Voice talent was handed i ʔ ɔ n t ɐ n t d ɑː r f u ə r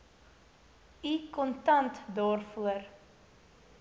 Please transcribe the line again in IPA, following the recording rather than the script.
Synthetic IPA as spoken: i k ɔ n t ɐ n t d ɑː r f u ə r

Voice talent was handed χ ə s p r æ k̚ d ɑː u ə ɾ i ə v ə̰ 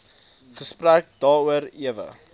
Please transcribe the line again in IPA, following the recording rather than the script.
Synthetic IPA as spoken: χ ə s p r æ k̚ d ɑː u ə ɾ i ə v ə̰

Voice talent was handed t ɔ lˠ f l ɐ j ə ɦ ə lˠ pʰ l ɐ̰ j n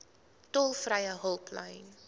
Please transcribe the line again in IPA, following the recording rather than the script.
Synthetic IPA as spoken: t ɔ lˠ f r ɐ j ə ɦ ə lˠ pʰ l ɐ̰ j n

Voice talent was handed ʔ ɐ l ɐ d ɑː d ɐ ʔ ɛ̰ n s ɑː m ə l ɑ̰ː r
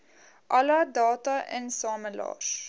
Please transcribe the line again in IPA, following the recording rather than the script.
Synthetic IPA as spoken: ʔ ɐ l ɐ d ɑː t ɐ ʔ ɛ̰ n s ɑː m ə l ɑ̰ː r

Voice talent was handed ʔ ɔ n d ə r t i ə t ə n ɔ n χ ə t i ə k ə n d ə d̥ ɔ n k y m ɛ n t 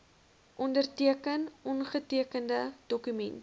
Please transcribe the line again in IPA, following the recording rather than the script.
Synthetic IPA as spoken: ʔ ɔ n d ə r t i ə k ə n ɔ n χ ə t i ə k ə n d ə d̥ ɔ k y m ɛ n t

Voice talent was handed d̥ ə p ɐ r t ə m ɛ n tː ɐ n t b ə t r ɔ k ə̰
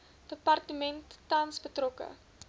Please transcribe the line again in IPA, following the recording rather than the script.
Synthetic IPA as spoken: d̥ ə p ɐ r t ə m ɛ n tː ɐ n s b ə t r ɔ k ə̰

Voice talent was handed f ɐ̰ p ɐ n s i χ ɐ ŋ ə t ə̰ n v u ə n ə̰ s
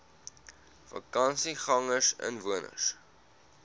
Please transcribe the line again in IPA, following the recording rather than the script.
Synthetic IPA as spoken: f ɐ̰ k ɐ n s i χ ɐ ŋ ə s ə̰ n v u ə n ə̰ s

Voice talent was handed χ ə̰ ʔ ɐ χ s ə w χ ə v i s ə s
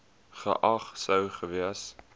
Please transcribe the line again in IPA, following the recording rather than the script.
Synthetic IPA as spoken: χ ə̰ ʔ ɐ χ s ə w χ ə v i ə s

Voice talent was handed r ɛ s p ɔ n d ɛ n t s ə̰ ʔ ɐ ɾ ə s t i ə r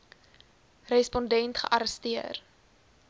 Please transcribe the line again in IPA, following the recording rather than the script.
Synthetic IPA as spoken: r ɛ s p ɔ n d ɛ n t χ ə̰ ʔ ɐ ɾ ə s t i ə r

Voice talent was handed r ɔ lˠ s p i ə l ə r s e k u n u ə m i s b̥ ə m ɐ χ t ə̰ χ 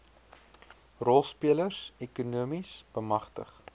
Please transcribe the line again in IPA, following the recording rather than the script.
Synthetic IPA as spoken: r ɔ lˠ s p i ə l ə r s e k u n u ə m i s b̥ ə m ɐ χ t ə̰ χ

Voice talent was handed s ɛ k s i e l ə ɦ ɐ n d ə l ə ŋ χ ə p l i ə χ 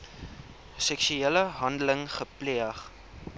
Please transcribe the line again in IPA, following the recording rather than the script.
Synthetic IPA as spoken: s ɛ k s y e l ə ɦ ɐ n d ə l ə ŋ χ ə p l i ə χ

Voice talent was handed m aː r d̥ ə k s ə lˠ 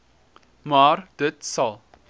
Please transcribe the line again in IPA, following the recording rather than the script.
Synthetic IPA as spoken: m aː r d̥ ə t s ɐ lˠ

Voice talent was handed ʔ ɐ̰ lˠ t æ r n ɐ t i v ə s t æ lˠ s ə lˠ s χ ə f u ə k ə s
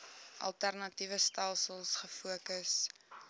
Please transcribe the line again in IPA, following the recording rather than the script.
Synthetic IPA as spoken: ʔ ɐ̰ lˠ t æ r n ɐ t i v ə s t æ lˠ s ə lˠ s χ ə f u ə k ə s

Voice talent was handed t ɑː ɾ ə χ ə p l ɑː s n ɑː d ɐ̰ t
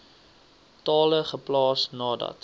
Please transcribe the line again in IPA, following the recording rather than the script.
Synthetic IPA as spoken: t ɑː l ə χ ə p l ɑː s n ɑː d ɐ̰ t

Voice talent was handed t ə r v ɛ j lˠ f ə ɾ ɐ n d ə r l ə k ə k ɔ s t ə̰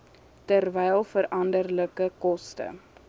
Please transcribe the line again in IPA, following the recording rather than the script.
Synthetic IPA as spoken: t ə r v ɛ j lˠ f ə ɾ ɐ n d ə r l ə k ə k ɔ s t ə̰

